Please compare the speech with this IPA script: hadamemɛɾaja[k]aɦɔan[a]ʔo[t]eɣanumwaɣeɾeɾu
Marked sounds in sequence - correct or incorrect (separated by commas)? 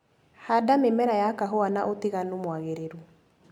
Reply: correct, correct, correct